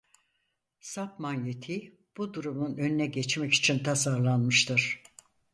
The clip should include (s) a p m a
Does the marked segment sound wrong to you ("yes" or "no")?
no